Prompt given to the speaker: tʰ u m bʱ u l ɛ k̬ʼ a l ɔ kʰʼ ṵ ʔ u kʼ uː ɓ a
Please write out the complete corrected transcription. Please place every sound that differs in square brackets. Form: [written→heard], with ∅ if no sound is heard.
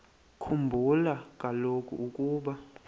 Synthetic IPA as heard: [tʰ→kʰ] u m bʱ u l [ɛ→a] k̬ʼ a l [ɔ→o] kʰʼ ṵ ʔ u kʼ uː ɓ a